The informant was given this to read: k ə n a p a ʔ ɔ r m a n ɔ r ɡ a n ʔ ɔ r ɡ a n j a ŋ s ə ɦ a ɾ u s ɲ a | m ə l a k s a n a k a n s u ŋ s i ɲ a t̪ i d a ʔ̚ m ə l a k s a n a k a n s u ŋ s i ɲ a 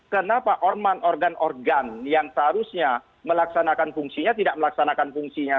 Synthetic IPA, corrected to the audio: k ə n a p a ʔ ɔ r m a n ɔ r ɡ a n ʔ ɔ r ɡ a n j a ŋ s ə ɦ a ɾ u s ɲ a | m ə l a k s a n a k a n f u ŋ s i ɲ a t̪ i d a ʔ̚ m ə l a k s a n a k a n f u ŋ s i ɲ a